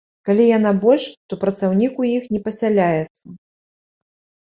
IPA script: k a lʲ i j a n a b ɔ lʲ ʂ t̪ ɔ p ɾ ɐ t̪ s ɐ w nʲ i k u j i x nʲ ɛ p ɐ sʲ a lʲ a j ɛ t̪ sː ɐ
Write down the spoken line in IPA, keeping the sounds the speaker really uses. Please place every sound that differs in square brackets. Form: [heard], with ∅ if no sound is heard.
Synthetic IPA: k a lʲ i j a n a b ɔ lʲ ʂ t̪ ɔ p ɾ ɐ t̪ s [a] w nʲ i k u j i x nʲ ɛ p ɐ sʲ a lʲ a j ɛ t̪ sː ɐ